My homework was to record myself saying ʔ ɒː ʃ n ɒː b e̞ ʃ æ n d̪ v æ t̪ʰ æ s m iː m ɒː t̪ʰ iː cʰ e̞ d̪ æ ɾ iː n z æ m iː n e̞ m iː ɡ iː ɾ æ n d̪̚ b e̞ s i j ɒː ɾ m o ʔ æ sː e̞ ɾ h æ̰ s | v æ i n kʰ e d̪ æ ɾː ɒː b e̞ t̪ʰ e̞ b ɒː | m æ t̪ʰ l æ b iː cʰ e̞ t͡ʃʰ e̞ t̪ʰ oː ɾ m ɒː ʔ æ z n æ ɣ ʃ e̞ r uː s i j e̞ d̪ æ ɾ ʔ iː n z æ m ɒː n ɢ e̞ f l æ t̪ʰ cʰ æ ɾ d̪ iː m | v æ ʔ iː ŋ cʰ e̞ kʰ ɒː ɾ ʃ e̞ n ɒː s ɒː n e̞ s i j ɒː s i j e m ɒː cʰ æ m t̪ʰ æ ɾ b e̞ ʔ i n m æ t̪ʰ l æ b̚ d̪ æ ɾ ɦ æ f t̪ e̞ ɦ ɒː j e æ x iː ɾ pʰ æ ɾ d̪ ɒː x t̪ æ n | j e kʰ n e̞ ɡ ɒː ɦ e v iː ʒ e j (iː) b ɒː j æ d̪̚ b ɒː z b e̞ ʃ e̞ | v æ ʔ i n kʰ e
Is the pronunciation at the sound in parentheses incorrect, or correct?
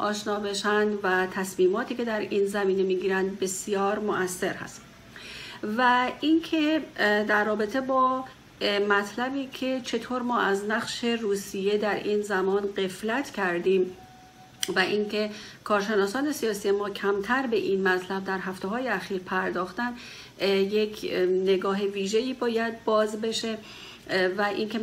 correct